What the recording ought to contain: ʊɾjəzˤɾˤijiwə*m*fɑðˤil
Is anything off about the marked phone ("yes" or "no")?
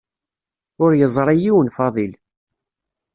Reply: yes